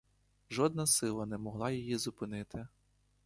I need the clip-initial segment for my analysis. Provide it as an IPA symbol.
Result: ʒ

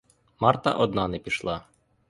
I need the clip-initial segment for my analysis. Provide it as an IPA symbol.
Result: m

